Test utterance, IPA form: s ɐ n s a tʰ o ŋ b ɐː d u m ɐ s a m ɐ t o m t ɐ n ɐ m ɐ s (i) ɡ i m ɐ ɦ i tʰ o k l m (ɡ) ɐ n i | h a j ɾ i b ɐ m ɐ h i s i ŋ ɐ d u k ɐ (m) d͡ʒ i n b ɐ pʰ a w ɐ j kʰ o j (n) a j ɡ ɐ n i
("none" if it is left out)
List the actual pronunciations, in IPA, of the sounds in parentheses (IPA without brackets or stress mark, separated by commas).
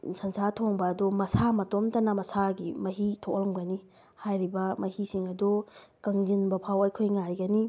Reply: a, ɡ, ŋ, ŋ